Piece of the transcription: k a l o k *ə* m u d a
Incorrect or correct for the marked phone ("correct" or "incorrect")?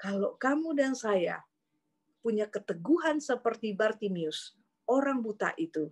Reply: incorrect